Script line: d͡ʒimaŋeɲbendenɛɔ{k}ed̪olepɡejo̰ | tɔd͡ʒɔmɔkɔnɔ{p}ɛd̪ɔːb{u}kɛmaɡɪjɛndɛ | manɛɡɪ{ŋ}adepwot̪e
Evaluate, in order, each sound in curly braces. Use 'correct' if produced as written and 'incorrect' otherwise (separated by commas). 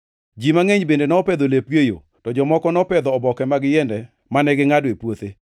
incorrect, correct, incorrect, correct